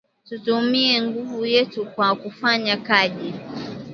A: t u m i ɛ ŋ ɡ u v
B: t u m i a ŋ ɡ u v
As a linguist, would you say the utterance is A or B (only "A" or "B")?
A